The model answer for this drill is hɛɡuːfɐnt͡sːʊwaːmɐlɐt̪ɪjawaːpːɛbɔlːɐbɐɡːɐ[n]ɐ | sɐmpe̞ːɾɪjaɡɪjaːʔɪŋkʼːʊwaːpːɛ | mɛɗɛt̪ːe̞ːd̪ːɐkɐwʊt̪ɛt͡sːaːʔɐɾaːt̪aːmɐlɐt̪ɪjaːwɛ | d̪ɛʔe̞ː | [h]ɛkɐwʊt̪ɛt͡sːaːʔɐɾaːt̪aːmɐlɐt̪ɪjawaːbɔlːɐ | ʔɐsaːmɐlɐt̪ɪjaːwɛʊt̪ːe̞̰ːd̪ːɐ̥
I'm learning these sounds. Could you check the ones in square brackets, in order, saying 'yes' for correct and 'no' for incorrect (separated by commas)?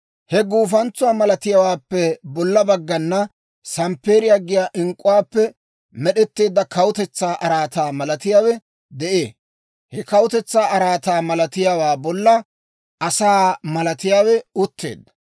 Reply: no, yes